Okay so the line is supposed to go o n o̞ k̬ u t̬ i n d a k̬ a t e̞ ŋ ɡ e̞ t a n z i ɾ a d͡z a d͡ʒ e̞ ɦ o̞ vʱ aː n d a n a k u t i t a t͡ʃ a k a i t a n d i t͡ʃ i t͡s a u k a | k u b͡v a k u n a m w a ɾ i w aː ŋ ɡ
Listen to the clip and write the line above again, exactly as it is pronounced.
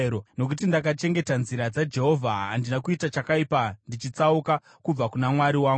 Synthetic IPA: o n o̞ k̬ u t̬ i n d a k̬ a t͡ʃ e̞ ŋ ɡ e̞ t a n z i ɾ a d͡z a d͡ʒ e̞ ɦ o̞ vʱ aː n d i n a k u i t a t͡ʃ a k a i p a n d i t͡ʃ i t͡s a u k a | k u b͡v a k u n a m w a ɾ i w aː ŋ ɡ